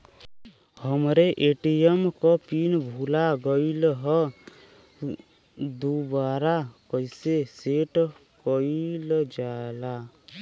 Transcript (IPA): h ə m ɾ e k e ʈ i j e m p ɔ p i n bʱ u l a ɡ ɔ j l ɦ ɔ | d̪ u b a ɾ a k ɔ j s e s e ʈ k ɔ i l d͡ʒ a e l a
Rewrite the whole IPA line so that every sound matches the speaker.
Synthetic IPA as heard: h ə m ɾ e ʔ e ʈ i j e m k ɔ p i n bʱ u l a ɡ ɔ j l ɦ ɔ | d̪ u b a ɾ a k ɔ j s e s e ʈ k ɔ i l d͡ʒ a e l a